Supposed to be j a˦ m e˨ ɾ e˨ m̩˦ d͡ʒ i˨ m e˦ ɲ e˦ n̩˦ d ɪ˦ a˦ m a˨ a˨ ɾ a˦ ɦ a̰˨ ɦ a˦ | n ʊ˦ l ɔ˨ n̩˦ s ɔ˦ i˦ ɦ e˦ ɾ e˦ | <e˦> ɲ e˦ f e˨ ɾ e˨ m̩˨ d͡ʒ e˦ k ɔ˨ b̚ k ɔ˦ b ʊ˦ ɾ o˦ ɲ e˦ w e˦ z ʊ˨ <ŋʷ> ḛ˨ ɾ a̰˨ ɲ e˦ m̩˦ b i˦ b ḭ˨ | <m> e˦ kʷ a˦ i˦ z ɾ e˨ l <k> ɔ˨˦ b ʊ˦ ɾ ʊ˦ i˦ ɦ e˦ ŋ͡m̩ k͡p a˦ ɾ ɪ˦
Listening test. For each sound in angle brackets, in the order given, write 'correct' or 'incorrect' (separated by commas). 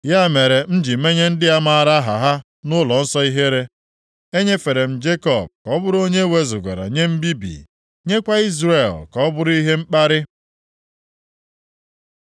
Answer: correct, incorrect, incorrect, correct